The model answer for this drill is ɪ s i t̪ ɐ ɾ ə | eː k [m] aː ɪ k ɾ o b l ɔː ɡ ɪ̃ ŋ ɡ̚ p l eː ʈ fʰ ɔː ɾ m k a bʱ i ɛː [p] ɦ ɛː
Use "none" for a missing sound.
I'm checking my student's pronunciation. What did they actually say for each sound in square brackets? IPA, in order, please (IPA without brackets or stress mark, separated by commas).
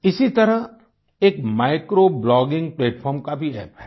m, p